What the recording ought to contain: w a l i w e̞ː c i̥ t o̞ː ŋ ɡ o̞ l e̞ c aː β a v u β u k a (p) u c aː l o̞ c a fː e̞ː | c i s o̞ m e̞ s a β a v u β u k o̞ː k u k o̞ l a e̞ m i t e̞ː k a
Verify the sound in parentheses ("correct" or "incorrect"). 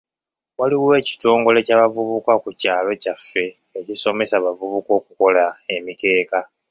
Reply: incorrect